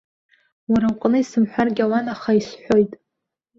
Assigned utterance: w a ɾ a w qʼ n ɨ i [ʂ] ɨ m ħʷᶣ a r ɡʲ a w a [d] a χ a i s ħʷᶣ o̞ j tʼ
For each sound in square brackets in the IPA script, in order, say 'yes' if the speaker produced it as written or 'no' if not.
no, no

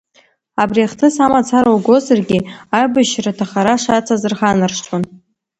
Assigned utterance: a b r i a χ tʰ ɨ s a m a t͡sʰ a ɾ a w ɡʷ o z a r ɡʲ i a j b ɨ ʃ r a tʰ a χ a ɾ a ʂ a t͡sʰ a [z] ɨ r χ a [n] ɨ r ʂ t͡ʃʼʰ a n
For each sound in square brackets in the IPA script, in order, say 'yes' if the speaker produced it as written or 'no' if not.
yes, yes

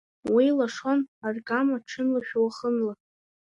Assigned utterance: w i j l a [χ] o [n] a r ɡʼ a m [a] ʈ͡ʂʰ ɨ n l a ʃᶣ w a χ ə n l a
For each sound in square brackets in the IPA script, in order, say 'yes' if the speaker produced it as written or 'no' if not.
no, yes, yes

